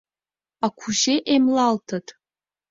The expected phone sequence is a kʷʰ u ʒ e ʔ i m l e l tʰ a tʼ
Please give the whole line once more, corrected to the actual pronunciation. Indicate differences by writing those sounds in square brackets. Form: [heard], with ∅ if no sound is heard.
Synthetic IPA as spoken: a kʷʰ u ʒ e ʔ [e] m l [a] l tʰ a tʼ